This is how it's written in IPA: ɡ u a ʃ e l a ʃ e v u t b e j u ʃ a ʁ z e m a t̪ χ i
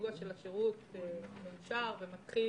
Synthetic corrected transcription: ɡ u a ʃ e l a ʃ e ʁ u t m e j u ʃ a ʁ v e m a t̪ χ i